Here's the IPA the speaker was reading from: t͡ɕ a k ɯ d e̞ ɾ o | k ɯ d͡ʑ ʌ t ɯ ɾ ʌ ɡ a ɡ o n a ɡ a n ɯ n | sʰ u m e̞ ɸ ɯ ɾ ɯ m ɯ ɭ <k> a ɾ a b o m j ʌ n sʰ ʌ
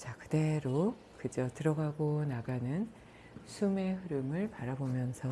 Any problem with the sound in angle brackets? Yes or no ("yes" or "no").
yes